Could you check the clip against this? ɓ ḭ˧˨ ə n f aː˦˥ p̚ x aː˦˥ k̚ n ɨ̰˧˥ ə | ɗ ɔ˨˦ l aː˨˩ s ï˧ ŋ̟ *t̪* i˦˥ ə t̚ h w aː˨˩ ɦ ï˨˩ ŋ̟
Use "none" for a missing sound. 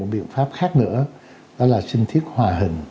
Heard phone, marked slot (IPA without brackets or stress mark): t̪ʰ